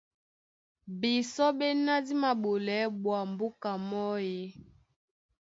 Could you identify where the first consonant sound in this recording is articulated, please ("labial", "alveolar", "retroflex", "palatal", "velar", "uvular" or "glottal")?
labial